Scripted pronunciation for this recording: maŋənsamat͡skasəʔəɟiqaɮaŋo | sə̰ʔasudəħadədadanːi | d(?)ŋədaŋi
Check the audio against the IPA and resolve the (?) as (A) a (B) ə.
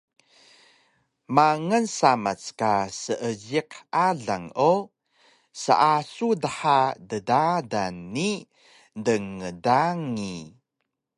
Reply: B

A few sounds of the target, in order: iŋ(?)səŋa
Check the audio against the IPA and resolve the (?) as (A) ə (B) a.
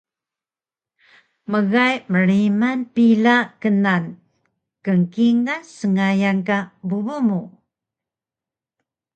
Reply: B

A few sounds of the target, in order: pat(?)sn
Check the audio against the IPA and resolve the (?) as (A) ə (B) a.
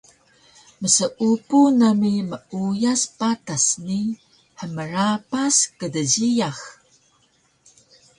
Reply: B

